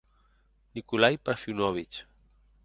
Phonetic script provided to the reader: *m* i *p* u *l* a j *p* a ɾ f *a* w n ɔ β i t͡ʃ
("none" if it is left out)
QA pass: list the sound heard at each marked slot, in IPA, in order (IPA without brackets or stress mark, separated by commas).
n, k, l, p, i